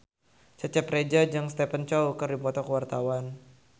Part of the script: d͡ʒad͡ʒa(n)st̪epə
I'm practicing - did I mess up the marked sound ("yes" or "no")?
yes